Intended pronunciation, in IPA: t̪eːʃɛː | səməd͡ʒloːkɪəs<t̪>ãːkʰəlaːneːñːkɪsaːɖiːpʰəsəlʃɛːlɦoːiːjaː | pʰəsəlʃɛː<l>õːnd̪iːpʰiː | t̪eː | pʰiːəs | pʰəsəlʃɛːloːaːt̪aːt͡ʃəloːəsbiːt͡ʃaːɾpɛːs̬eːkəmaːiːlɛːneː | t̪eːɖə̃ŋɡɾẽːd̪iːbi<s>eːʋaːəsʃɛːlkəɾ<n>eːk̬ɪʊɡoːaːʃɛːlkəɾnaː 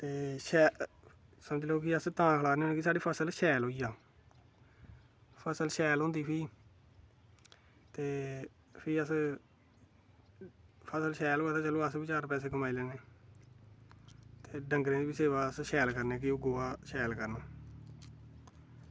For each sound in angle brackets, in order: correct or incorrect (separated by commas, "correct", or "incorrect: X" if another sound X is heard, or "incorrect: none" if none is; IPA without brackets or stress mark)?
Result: correct, correct, correct, correct